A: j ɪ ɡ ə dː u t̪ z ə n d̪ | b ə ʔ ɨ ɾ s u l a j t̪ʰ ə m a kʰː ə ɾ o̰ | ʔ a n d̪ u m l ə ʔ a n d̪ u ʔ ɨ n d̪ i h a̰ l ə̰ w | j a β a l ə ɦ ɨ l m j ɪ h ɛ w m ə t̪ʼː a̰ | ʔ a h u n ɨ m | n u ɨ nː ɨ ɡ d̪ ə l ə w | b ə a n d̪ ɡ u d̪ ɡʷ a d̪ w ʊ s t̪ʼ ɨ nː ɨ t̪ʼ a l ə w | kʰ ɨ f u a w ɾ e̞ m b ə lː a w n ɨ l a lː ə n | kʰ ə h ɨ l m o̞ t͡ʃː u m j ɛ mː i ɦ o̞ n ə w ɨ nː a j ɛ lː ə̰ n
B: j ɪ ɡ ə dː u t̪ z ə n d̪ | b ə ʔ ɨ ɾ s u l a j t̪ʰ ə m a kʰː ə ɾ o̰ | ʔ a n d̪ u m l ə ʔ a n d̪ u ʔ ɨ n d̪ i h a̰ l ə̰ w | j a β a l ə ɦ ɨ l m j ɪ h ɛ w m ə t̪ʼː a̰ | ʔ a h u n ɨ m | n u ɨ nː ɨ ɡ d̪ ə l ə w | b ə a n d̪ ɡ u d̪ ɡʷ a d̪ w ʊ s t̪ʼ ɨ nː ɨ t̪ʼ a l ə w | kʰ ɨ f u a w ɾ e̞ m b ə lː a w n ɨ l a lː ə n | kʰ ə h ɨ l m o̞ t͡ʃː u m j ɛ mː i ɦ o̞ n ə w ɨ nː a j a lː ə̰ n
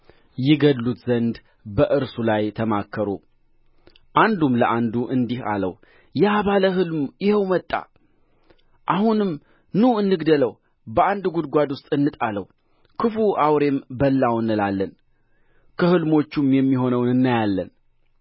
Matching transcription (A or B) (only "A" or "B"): B